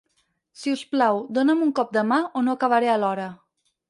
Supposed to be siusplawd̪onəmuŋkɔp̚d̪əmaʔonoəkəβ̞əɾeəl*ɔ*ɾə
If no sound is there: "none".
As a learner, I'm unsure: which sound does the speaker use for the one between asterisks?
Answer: ɔ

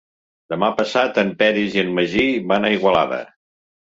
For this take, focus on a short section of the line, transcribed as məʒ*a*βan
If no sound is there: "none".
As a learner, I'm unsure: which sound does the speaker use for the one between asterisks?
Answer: i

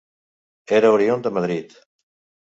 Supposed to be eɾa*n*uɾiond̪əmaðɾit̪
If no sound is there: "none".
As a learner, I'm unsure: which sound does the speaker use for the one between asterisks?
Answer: none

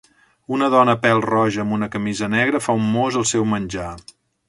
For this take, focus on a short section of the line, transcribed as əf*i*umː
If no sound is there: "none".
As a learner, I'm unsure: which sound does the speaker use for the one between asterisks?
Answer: a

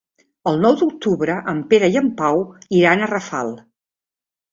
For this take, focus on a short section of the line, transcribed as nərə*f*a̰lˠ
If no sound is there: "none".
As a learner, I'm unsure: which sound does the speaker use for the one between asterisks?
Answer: f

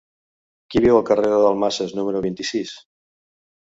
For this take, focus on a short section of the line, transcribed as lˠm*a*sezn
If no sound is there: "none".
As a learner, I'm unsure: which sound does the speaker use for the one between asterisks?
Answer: a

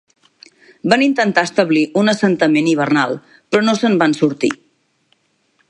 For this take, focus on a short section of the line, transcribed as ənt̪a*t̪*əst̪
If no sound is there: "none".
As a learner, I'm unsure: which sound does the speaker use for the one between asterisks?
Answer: none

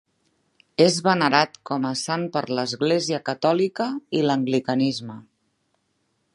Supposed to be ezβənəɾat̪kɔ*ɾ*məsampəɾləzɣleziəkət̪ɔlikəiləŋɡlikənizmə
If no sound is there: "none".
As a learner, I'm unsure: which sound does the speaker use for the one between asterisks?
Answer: none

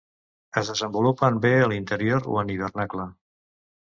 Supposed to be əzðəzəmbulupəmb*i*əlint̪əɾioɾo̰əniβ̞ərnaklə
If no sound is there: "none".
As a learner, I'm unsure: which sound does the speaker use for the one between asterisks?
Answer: e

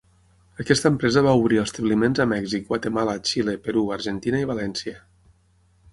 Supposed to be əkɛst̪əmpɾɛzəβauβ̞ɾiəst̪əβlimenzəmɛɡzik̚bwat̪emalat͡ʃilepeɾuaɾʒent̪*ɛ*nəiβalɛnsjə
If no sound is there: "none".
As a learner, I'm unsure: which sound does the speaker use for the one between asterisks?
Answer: i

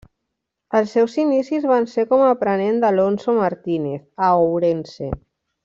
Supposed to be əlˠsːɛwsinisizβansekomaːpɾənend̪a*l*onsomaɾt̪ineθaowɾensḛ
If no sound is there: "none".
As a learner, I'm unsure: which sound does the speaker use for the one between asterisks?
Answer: l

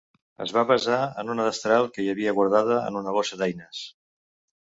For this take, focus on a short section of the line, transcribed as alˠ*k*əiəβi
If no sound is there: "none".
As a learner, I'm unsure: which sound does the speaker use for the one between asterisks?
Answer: k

